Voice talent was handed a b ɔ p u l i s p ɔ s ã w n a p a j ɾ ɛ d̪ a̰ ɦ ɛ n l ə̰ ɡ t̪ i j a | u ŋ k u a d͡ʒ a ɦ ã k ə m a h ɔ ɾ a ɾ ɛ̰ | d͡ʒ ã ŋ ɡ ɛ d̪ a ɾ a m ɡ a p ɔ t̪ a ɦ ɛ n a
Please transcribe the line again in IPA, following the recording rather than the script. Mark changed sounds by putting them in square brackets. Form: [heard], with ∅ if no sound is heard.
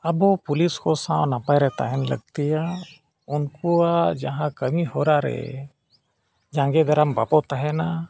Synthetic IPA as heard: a b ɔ p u l i s [k] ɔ s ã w n a p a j ɾ ɛ [t̪] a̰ ɦ ɛ n l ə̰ ɡ t̪ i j a | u [n] k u a d͡ʒ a ɦ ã k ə m [i] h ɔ ɾ a ɾ ɛ̰ | d͡ʒ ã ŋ ɡ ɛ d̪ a ɾ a m [b] a p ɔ t̪ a ɦ ɛ n a